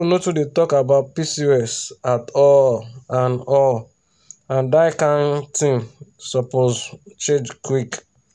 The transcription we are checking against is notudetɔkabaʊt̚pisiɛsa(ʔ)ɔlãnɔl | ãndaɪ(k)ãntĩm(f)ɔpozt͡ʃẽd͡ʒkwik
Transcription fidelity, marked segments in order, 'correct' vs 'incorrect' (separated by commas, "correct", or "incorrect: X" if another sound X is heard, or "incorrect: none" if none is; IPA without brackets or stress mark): incorrect: t, correct, incorrect: s